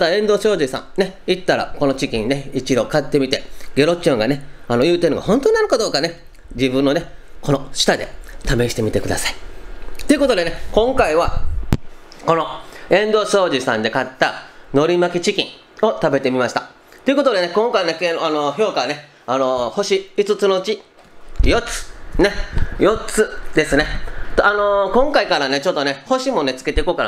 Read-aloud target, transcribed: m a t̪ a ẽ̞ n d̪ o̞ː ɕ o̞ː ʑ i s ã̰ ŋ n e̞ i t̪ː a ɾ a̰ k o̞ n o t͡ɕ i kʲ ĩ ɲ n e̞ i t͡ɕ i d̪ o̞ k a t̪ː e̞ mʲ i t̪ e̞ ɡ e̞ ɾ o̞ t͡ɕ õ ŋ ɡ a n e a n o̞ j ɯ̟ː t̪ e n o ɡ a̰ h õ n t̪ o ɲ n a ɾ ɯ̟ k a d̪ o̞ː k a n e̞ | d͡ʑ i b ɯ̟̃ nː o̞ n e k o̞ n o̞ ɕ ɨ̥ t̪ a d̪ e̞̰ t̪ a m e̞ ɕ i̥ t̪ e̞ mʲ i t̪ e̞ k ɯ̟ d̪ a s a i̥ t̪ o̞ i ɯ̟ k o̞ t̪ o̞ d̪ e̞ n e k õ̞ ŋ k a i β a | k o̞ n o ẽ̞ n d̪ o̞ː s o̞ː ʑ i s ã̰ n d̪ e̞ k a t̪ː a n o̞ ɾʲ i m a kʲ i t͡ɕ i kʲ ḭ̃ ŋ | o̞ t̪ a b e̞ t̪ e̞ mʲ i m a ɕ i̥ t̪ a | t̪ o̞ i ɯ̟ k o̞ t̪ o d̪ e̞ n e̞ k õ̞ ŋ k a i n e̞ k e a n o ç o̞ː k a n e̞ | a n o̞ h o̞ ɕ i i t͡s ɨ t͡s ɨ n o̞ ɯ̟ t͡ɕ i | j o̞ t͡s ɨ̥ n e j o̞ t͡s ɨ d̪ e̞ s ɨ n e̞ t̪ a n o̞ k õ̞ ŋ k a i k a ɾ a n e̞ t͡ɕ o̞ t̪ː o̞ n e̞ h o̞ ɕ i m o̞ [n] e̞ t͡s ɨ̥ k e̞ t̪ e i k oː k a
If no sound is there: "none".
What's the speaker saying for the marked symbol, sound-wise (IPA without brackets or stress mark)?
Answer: n